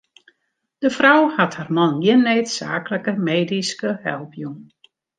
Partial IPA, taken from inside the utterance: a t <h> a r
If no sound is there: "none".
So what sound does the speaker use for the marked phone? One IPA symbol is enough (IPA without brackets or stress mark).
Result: h